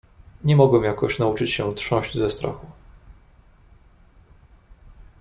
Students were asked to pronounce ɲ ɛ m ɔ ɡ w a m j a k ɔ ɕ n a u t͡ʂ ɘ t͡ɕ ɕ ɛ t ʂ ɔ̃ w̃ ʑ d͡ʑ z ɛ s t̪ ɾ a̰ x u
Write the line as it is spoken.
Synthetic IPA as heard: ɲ ɛ m ɔ ɡ w ɛ m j a k ɔ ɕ n a u t͡ʂ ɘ t͡ɕ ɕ ɛ t ʂ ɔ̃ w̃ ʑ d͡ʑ z ɛ s t̪ ɾ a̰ x u